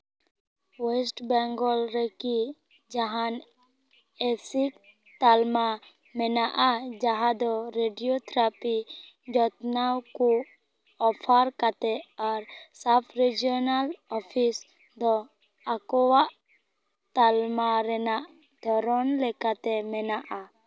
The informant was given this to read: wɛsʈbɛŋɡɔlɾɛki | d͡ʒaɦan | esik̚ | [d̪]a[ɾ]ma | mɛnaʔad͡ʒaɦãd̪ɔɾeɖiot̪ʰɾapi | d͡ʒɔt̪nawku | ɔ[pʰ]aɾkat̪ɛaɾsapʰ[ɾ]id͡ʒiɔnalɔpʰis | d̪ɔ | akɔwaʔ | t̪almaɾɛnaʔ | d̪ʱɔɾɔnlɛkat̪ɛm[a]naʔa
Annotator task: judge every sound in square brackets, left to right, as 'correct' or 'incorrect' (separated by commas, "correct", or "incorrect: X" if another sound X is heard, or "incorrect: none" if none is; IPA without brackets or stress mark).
incorrect: t̪, incorrect: l, correct, correct, incorrect: ɛ